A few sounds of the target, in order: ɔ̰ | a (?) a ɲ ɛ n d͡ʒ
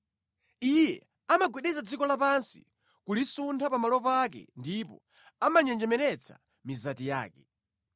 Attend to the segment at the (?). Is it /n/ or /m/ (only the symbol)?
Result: m